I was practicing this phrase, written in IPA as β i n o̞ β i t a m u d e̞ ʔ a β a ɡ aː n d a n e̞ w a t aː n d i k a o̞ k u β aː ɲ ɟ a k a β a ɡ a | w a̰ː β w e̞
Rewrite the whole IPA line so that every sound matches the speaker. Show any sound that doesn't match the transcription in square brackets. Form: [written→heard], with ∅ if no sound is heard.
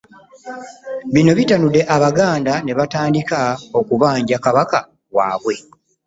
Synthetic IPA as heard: β i n o̞ β i t a [m→n] u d e̞ ʔ a β a ɡ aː n d a n e̞ [w→β] a t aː n d i k a o̞ k u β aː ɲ ɟ a k a β a [ɡ→k] a | w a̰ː β w e̞